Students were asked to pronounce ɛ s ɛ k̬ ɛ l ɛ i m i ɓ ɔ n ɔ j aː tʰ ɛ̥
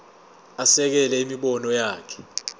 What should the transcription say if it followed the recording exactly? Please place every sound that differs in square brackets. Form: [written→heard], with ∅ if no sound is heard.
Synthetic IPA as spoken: [ɛ→a] s ɛ k̬ ɛ l ɛ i m i ɓ ɔ n ɔ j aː [tʰ→kʰ] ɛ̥